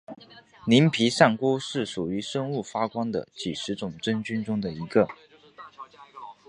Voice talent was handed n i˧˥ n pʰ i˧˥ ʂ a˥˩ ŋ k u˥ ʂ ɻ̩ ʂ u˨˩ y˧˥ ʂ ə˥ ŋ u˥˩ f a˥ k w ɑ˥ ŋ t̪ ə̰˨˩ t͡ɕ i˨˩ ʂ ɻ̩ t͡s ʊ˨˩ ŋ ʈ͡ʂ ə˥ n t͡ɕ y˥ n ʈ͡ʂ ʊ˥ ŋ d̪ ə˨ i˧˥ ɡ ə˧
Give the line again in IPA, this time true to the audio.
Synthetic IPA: n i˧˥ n pʰ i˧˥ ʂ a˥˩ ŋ k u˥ ʂ ɻ̩ ʂ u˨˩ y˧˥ ʂ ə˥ ŋ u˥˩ f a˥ k w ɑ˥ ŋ d̪ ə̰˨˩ t͡ɕ i˨˩ ʂ ɻ̩ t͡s ʊ˨˩ ŋ ʈ͡ʂ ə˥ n t͡ɕ y˥ n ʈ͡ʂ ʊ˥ ŋ d̪ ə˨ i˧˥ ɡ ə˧